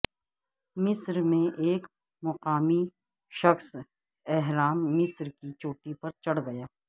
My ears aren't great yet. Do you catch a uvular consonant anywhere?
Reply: yes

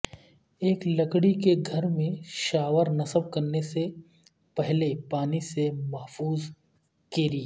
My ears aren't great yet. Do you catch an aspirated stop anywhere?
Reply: no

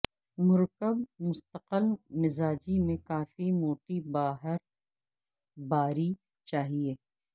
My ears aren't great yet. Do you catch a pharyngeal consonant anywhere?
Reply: no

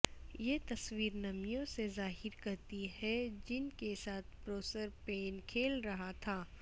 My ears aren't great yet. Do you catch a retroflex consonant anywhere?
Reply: no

